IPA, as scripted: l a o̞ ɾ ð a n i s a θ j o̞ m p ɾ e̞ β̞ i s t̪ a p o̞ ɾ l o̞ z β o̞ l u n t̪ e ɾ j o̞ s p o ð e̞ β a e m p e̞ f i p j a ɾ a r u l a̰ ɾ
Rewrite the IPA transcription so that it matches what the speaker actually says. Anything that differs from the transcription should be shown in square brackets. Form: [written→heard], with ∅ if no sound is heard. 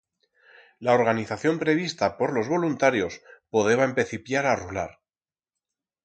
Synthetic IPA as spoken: l a o̞ ɾ [ð→ɣ] a n i [s→θ] a θ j o̞ m p ɾ e̞ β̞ i s t̪ a p o̞ ɾ l o̞ z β o̞ l u n t̪ [e→a] ɾ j o̞ s p o ð e̞ β a e m p e̞ [f→θ] i p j a ɾ a r u l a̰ ɾ